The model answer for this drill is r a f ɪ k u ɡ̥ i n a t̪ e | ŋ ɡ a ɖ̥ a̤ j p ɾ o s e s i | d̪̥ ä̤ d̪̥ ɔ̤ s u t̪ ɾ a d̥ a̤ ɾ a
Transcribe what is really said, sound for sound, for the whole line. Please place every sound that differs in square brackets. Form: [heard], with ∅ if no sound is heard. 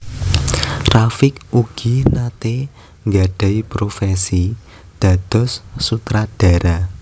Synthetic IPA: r a f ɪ k u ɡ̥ i n a t̪ e | ŋ ɡ a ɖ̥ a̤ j p ɾ o [f] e s i | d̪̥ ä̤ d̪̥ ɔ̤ [sː] u t̪ ɾ a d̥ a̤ ɾ a